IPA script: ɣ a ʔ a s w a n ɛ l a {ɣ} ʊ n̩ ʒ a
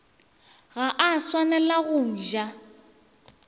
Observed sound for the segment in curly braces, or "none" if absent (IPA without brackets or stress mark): ɣ